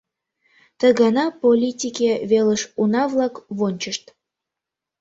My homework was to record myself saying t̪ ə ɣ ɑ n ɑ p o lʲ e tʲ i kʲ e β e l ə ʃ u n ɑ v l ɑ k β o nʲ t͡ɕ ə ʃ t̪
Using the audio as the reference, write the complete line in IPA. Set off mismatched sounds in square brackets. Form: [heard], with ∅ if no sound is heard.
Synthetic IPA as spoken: t̪ ə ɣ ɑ n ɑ p o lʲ [i] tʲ i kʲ e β e l ə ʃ u n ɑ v l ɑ k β o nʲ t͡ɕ ə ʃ t̪